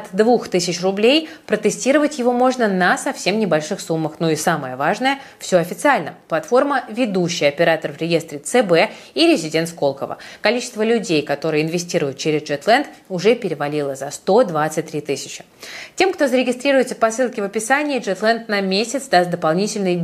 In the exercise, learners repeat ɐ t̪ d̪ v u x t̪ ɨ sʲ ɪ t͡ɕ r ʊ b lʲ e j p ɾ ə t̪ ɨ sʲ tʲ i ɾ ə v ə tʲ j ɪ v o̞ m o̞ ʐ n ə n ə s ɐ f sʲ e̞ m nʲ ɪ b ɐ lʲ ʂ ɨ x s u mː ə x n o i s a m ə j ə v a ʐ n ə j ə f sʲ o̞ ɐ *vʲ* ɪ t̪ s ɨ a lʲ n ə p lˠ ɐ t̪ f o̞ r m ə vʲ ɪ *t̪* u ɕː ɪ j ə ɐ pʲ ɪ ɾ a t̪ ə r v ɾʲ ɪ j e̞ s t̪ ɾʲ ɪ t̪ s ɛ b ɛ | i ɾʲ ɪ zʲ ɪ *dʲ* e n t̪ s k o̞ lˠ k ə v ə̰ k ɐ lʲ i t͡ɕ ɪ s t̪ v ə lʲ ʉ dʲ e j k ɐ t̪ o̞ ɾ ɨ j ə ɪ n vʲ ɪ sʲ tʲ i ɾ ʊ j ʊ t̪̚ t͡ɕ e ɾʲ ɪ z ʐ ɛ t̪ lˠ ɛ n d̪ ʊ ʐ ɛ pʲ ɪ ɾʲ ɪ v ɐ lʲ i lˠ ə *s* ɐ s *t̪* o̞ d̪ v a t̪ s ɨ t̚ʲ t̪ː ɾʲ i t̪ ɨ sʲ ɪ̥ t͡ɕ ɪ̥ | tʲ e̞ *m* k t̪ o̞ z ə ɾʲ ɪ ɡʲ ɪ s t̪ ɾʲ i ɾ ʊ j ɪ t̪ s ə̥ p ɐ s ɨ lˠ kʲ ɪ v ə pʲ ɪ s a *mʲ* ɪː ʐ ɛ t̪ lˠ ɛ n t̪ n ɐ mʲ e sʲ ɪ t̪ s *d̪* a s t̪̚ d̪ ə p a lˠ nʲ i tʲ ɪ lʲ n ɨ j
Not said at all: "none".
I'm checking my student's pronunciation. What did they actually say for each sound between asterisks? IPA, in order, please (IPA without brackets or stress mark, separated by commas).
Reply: fʲ, d̪, dʲ, z, t̪, m, nʲ, d̪